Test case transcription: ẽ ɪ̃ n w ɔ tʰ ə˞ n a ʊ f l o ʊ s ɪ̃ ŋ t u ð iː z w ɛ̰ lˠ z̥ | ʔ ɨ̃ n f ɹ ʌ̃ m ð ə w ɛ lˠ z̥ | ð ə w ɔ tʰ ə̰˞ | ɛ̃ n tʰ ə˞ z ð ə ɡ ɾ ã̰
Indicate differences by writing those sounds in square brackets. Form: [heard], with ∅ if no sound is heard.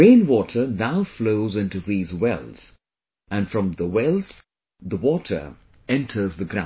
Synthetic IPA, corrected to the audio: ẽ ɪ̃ n w ɔ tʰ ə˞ n a ʊ f l o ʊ [z] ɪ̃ [n] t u ð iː z w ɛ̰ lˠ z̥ | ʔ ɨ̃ n f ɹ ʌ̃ m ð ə w ɛ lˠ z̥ | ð ə w ɔ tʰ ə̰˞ | ɛ̃ n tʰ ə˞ z ð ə ɡ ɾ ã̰

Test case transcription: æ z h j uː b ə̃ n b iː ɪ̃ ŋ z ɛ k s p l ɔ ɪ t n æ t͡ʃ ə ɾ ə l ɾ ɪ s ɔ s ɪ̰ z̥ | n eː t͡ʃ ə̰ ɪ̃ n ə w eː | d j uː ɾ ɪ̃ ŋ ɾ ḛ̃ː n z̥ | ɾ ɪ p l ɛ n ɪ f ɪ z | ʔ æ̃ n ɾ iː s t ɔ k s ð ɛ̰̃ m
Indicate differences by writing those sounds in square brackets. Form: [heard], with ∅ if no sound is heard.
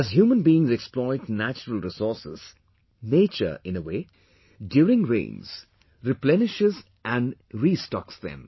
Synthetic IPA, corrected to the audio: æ z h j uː [m] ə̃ n b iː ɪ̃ ŋ z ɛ k s p l ɔ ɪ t n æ t͡ʃ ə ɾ ə l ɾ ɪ s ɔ s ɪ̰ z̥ | n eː t͡ʃ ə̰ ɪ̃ n ə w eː | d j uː ɾ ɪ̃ ŋ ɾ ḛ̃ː n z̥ | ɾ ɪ p l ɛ n ɪ [ʃ] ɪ z | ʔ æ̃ n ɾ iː s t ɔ k s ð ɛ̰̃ m

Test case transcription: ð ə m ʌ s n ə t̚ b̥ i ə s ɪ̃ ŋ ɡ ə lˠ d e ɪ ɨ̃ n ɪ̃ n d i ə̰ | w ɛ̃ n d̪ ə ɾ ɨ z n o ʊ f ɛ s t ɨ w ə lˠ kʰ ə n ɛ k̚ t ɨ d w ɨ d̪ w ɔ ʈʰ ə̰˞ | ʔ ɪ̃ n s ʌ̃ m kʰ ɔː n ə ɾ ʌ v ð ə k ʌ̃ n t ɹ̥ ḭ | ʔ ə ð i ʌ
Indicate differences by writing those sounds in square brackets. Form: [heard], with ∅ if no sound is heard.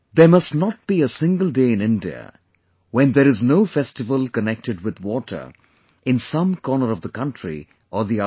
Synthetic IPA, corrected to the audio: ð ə m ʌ s n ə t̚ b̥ i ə s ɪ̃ ŋ ɡ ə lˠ d e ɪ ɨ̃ n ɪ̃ n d i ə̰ | w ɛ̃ n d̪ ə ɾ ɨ z n o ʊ f ɛ s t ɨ [v] ə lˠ [k] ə n ɛ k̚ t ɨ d w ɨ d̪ w ɔ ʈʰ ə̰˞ | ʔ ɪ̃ n s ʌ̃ m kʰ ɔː n ə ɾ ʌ v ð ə k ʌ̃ n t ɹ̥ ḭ | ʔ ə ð i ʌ

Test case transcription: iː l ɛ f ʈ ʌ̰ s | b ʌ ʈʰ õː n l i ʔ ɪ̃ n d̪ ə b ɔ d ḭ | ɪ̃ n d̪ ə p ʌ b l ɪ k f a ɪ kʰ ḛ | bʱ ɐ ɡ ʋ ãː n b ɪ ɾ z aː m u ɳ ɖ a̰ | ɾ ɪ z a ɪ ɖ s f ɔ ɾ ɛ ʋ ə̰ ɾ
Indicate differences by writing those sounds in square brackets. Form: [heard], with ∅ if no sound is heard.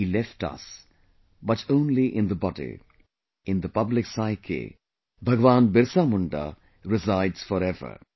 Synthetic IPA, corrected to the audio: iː l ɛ f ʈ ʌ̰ s | b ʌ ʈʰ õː n l i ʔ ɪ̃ n d̪ ə b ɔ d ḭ | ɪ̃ n d̪ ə p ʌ b l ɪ k [s] a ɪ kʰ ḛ | bʱ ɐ ɡ ʋ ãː n b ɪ ɾ [s] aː m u ɳ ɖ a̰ | ɾ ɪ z a ɪ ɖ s f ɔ ɾ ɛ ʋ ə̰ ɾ

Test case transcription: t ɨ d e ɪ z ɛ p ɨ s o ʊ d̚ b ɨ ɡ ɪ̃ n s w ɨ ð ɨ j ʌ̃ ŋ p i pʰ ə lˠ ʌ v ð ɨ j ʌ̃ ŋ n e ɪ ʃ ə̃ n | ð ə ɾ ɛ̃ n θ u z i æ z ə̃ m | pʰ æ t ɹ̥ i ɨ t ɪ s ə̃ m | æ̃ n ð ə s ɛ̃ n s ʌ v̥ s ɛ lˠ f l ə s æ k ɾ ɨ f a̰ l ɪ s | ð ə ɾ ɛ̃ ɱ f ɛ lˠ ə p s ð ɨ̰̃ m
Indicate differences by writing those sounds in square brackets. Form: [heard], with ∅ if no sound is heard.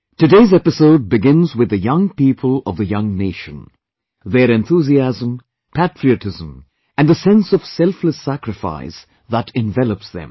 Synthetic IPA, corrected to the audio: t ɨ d e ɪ z ɛ p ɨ s o ʊ d̚ b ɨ ɡ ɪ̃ n [z] w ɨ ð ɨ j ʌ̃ ŋ p i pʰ ə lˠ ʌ v ð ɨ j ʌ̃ ŋ n e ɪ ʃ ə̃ n | ð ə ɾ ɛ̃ n θ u z i æ z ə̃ m | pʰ æ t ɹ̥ i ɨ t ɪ [z] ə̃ m | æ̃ n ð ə s ɛ̃ n s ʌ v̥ s ɛ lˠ f l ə s æ k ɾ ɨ f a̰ [∅] ɪ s | ð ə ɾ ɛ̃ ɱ [v] ɛ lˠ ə p s ð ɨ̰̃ m

